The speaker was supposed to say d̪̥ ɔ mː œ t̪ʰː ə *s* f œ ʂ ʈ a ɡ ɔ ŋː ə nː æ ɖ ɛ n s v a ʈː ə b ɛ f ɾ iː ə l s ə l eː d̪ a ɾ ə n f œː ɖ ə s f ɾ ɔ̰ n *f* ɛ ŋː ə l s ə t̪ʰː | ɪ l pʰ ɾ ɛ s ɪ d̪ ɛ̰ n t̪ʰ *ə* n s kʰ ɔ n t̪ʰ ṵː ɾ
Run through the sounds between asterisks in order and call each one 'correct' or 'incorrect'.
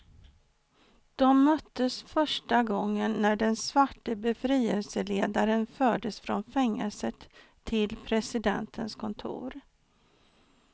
correct, correct, correct

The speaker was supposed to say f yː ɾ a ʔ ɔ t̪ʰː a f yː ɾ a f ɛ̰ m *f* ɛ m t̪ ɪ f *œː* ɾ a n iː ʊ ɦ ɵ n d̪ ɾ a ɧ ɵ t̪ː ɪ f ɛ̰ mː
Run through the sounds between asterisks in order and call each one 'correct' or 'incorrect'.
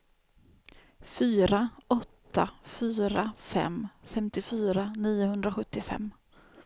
correct, incorrect: yː

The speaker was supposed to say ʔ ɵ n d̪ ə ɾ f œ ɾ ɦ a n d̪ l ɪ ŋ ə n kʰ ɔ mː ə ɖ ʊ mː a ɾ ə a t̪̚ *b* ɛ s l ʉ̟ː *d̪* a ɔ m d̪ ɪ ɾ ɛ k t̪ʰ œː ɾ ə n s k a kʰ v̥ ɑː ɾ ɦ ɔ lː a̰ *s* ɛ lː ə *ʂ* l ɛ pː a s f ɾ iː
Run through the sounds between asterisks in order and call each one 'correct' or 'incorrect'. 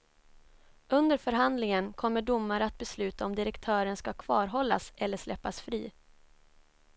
correct, incorrect: t̪, correct, correct

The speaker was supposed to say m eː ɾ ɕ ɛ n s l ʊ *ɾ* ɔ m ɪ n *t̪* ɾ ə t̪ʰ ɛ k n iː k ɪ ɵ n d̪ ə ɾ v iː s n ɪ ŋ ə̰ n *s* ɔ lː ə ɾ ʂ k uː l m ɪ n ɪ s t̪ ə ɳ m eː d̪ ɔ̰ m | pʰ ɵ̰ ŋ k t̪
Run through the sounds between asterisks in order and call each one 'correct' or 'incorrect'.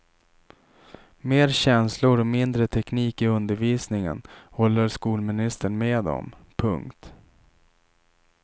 correct, incorrect: d̪, incorrect: h

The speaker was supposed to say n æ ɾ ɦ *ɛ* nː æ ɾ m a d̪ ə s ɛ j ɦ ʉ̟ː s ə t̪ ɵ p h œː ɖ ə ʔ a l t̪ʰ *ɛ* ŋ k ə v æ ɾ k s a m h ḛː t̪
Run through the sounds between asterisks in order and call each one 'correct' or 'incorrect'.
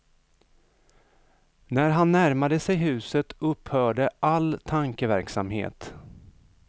incorrect: a, incorrect: a

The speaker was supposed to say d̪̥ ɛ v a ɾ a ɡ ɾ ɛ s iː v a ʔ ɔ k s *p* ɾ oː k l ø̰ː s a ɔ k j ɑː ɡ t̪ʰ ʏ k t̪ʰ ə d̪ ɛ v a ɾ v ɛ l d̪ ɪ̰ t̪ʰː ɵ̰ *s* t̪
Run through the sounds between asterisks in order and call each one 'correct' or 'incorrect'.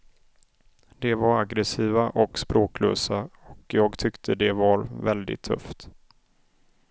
correct, incorrect: f

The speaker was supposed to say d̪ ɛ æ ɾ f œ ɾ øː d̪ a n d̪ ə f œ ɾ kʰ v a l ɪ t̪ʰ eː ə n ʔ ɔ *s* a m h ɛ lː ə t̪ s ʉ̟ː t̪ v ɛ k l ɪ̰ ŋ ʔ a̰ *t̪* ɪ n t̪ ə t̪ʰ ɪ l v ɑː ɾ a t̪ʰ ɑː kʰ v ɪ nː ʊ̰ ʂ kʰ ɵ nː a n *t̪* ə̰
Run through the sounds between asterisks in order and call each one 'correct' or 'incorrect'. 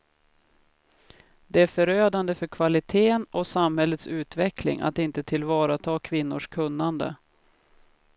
correct, correct, incorrect: d̪

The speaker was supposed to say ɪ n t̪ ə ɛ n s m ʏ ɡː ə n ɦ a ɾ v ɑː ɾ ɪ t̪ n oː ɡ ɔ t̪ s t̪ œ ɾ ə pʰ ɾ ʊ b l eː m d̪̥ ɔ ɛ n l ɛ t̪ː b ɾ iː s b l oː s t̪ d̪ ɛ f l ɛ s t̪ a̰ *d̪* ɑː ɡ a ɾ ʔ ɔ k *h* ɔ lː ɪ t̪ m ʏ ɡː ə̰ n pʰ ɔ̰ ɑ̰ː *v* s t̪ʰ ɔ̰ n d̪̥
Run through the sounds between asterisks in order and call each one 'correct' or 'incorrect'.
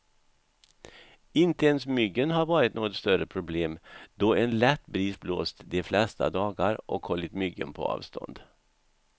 correct, correct, correct

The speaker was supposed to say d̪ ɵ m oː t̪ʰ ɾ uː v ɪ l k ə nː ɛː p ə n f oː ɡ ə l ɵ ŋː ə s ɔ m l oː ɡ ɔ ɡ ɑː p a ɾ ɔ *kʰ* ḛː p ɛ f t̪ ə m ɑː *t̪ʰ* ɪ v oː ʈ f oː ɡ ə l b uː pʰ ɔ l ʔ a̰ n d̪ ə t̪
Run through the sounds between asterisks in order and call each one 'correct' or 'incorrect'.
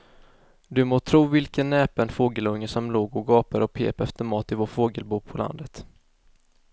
incorrect: pʰ, incorrect: t̪

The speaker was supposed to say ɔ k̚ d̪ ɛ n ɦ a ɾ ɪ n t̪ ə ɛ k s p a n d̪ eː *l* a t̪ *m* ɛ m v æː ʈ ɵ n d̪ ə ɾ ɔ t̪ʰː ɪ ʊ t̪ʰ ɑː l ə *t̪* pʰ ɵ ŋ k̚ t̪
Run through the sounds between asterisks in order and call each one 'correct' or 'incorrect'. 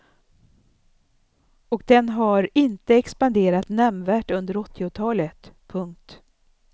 incorrect: ɾ, incorrect: n, correct

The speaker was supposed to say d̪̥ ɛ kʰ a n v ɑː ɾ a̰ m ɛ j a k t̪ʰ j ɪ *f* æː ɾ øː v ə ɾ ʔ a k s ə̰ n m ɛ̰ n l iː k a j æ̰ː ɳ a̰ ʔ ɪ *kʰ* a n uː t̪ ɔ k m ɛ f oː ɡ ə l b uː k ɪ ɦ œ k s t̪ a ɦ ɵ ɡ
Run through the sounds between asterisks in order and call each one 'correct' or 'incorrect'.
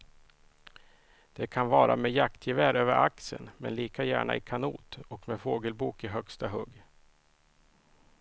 incorrect: v, correct

